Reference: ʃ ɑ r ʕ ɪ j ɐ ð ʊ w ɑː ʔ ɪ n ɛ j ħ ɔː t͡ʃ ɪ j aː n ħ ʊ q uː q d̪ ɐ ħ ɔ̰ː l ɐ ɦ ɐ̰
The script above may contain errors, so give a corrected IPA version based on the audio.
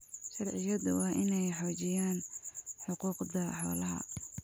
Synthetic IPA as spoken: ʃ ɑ r ʕ ɪ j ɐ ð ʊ w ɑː ʔ ɪ n ɛ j ħ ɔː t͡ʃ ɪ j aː n ħ ʊ q uː q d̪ ɐ ħ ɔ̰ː l ɐ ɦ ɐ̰